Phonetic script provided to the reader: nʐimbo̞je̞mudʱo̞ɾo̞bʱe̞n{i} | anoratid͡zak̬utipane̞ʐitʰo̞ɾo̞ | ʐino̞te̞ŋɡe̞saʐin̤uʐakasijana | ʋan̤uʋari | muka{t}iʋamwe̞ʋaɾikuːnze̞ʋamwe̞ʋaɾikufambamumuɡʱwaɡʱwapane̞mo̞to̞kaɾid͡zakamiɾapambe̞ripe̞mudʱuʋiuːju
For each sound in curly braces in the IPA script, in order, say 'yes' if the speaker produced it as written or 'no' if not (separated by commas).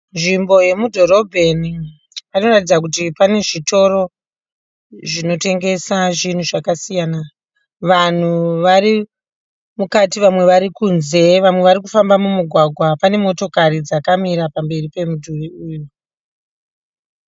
yes, yes